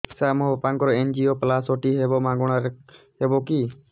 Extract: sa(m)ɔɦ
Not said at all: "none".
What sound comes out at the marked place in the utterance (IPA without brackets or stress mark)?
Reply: m